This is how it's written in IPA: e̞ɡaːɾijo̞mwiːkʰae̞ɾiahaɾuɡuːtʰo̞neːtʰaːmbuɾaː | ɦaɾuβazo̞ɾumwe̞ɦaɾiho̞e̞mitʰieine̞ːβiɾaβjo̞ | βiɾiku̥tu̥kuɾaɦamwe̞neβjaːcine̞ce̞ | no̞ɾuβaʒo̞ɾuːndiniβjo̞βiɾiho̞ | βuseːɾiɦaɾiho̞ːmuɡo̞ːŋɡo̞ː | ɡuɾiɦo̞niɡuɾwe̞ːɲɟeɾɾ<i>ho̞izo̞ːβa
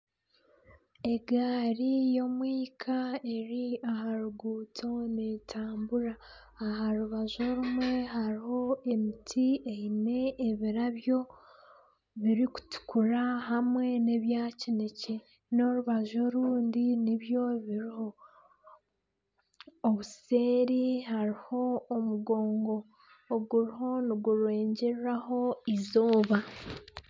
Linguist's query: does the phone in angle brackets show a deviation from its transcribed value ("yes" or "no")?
yes